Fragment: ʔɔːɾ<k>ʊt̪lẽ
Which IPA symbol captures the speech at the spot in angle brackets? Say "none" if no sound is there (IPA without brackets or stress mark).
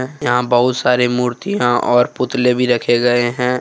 p